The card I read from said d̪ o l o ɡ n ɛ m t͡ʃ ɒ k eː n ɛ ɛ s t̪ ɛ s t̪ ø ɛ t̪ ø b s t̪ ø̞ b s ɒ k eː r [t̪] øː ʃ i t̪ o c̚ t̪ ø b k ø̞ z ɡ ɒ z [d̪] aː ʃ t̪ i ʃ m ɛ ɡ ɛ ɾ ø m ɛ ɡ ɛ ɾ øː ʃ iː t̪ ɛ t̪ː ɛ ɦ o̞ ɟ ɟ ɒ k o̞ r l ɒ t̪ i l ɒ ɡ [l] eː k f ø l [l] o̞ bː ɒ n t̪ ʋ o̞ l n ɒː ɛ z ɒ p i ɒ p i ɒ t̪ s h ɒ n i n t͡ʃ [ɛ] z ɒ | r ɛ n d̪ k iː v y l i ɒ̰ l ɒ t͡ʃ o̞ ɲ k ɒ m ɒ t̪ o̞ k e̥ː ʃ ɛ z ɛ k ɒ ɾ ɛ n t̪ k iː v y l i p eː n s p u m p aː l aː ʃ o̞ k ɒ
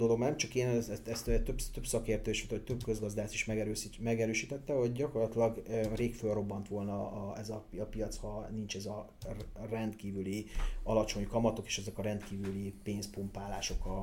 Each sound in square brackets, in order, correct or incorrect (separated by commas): correct, correct, incorrect, incorrect, correct